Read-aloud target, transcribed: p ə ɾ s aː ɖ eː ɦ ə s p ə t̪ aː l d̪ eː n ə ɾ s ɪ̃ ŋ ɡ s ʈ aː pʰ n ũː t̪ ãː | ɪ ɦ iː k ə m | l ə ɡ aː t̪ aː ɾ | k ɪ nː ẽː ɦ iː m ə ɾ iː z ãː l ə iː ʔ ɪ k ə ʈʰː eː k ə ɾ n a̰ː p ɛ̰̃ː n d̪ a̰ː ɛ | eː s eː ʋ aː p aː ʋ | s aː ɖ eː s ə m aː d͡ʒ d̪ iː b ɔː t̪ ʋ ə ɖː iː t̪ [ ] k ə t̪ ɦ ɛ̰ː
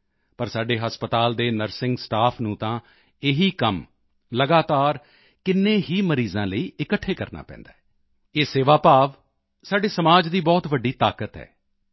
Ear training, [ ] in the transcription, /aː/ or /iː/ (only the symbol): aː